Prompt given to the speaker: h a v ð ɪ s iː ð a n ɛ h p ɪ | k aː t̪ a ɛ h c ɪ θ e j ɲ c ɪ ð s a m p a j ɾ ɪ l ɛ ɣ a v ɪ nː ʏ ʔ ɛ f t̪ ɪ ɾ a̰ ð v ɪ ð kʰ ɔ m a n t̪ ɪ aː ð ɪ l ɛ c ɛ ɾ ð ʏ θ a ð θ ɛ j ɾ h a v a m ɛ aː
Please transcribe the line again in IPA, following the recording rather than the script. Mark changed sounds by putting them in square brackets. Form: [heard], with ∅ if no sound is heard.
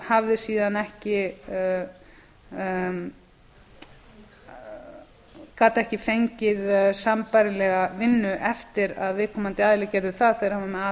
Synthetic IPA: h a v ð ɪ s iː ð a n ɛ h [c] ɪ | k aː t̪ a ɛ h c ɪ [f] e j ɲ c ɪ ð s a m p a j ɾ ɪ l ɛ ɣ a v ɪ nː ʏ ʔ ɛ f t̪ ɪ ɾ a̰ ð v ɪ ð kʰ ɔ m a n t̪ ɪ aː ð ɪ l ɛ c ɛ ɾ ð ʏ θ a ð θ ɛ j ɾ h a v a m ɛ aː